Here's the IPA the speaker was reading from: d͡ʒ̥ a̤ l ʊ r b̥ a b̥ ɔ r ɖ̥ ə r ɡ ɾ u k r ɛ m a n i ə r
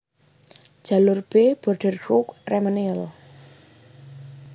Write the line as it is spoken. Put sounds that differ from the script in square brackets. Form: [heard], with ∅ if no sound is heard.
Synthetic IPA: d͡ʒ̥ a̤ l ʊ r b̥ [e] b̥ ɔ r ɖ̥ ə r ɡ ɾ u k r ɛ m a n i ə [l]